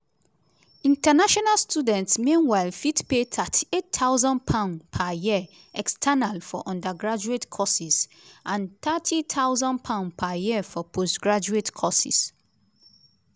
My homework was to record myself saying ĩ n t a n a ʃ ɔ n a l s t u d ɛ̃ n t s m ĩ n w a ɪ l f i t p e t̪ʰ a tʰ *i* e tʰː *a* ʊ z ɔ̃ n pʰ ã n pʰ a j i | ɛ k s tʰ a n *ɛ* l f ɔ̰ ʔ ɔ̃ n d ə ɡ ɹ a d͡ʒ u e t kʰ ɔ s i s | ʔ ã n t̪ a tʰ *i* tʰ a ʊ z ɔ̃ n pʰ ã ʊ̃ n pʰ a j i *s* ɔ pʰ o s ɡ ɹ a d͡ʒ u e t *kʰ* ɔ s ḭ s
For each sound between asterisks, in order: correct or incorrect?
correct, correct, incorrect, correct, incorrect, correct

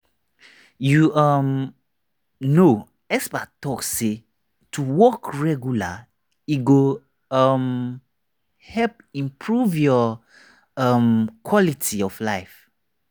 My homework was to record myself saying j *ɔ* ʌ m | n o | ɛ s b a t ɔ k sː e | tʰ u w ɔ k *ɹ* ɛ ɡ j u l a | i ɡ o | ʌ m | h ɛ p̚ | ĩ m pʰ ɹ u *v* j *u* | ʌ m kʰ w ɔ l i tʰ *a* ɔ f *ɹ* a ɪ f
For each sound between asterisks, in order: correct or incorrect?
incorrect, correct, correct, incorrect, incorrect, incorrect

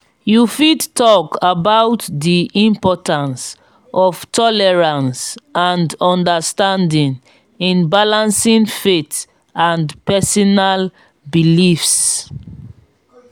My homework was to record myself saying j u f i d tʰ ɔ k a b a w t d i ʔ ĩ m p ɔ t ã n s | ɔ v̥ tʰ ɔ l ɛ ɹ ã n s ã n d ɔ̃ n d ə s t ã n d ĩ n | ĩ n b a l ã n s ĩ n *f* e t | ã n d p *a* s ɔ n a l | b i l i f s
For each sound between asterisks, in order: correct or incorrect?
correct, incorrect

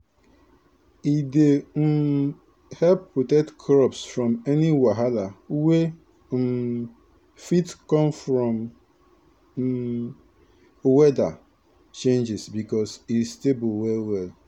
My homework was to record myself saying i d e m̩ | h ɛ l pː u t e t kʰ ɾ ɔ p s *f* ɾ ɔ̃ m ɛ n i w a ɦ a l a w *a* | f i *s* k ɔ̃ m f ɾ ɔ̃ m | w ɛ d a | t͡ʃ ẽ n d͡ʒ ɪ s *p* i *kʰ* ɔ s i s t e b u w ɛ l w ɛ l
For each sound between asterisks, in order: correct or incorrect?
correct, incorrect, incorrect, incorrect, incorrect

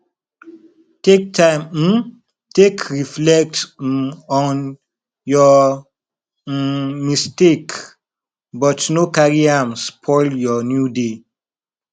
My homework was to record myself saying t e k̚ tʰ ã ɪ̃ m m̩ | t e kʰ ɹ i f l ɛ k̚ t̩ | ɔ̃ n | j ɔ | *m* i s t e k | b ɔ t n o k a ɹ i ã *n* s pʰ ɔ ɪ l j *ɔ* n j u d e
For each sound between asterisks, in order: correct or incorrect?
correct, incorrect, correct

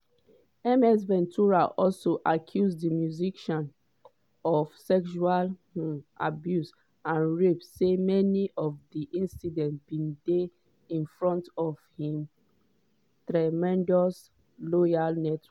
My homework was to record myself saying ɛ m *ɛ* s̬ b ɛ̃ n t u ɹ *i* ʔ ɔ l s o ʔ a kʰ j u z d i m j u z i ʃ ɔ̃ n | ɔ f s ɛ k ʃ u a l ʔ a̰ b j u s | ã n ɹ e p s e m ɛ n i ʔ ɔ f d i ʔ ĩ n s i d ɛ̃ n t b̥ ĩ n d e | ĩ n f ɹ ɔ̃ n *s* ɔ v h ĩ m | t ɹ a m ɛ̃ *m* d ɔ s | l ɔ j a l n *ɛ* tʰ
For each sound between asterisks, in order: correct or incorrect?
correct, incorrect, incorrect, incorrect, correct

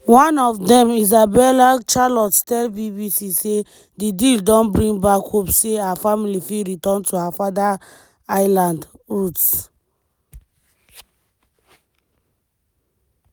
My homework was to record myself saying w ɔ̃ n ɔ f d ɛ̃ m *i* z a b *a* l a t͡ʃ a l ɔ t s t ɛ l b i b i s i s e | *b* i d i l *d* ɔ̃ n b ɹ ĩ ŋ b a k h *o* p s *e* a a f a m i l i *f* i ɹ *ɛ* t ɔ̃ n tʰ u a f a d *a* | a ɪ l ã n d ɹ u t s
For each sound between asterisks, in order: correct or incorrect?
correct, incorrect, incorrect, correct, correct, correct, correct, incorrect, correct

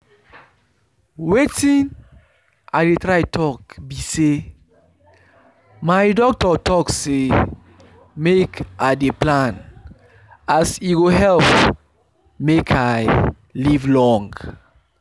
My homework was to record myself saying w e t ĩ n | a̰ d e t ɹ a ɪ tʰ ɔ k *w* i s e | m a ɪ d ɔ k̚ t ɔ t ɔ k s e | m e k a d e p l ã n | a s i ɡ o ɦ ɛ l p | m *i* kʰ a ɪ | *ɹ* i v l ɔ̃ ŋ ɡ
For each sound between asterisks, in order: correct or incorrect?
incorrect, incorrect, incorrect

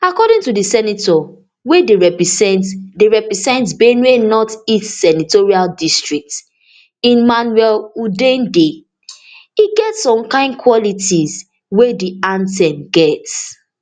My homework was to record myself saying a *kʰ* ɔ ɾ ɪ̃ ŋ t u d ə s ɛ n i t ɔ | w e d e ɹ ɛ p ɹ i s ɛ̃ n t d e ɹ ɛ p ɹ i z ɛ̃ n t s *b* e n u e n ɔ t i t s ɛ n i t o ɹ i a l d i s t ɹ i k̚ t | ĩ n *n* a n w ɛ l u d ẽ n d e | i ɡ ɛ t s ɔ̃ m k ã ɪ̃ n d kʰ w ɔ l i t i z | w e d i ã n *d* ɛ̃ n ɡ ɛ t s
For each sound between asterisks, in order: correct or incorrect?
incorrect, correct, incorrect, incorrect

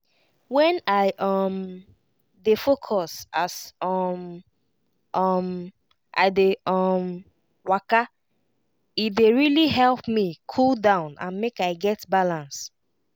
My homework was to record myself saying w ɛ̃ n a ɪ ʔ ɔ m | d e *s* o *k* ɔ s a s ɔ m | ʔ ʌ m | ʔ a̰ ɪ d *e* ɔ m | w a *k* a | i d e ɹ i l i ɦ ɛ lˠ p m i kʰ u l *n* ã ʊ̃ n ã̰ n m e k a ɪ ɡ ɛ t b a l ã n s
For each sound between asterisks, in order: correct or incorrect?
incorrect, incorrect, correct, correct, incorrect

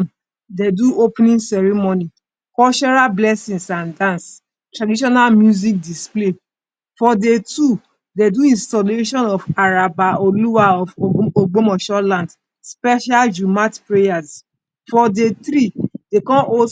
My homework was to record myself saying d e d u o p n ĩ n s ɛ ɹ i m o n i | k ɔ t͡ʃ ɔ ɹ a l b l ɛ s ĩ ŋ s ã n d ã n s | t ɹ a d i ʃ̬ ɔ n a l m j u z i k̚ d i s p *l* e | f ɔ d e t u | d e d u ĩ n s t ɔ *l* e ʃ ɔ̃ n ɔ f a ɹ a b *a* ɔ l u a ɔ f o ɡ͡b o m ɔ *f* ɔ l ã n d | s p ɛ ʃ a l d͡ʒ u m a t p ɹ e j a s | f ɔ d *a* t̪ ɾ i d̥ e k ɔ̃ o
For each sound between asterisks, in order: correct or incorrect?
correct, correct, correct, incorrect, incorrect

